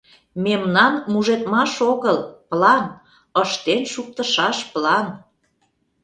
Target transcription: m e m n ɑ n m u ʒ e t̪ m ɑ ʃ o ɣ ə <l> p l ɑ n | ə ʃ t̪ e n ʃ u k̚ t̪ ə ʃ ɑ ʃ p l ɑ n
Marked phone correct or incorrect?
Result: correct